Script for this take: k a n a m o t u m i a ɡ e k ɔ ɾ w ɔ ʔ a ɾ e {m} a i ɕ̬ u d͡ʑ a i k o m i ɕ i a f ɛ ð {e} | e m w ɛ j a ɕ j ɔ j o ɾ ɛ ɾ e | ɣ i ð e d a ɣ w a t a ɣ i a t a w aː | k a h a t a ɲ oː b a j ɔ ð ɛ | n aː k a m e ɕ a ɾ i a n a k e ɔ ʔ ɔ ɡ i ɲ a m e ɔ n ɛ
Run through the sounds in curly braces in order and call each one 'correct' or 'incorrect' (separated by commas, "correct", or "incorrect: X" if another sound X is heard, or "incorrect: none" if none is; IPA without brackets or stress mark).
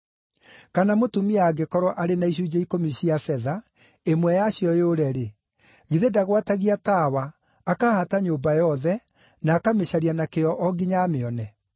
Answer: incorrect: n, incorrect: a